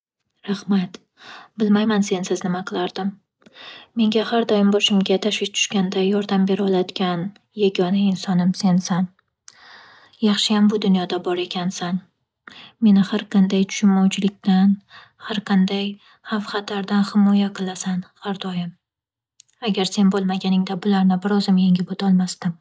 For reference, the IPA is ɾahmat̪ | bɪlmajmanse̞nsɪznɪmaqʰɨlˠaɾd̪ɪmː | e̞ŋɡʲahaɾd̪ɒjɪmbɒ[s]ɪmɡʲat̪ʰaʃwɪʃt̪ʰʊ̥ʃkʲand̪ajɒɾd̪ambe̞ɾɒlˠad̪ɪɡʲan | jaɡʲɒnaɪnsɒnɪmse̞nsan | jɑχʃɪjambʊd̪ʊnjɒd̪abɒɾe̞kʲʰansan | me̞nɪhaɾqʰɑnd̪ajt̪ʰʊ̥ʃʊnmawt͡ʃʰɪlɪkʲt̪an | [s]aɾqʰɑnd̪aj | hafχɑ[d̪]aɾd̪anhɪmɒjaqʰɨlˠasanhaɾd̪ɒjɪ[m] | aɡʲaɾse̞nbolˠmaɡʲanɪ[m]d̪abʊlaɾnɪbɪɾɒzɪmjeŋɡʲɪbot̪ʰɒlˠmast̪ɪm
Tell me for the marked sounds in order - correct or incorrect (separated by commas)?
incorrect, incorrect, incorrect, correct, incorrect